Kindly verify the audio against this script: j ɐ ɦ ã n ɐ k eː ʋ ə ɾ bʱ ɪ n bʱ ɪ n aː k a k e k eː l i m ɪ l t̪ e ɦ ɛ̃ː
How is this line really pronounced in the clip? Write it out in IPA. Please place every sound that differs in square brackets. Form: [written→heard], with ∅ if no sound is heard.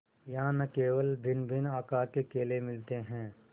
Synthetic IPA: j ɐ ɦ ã n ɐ k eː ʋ ə [ɾ→l] bʱ ɪ n bʱ ɪ n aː k a k e k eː l [i→e] m ɪ l t̪ e ɦ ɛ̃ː